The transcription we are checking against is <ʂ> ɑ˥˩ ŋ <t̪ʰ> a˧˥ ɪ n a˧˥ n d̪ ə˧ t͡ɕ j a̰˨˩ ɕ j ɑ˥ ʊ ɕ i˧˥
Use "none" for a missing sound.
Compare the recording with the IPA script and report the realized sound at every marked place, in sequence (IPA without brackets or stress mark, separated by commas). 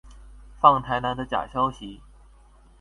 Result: f, t̪ʰ